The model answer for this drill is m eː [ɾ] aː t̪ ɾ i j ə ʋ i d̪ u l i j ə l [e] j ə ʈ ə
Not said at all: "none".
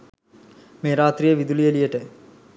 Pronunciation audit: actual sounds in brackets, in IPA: ɾ, i

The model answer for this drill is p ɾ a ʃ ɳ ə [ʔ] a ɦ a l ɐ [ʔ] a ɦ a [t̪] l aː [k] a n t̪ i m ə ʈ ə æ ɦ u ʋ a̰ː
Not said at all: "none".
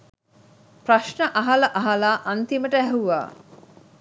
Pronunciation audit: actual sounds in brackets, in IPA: ʔ, ʔ, none, ʔ

